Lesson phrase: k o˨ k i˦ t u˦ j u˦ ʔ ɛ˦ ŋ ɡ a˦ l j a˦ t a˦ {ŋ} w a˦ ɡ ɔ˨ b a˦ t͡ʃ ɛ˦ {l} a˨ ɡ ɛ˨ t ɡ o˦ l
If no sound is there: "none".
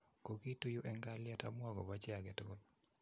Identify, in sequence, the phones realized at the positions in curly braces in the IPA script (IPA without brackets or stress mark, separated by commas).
m, none